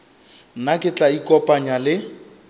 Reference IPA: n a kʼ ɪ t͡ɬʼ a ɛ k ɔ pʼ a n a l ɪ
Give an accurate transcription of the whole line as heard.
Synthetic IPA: n a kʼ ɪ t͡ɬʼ a i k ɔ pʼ a ɲ a l ɪ